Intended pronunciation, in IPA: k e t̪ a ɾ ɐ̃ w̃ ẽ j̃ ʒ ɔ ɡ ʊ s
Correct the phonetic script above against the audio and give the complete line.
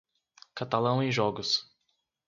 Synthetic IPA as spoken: k a t̪ a l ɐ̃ w̃ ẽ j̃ ʒ ɔ ɡ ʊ s